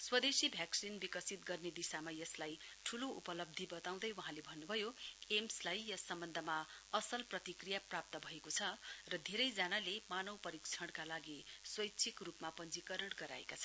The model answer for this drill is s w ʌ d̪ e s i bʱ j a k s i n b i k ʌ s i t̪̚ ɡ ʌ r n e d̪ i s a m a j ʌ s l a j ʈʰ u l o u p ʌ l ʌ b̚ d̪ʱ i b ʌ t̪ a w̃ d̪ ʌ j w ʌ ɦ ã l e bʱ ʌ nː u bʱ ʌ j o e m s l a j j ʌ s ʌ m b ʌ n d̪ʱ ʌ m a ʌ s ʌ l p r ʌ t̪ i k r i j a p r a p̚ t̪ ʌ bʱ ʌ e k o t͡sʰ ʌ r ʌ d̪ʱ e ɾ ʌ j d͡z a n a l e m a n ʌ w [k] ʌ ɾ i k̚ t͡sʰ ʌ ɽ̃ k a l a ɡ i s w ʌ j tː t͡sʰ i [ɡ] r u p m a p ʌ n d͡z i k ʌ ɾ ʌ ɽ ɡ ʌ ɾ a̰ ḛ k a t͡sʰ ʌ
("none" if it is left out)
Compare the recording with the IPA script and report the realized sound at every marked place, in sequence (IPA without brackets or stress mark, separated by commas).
p, k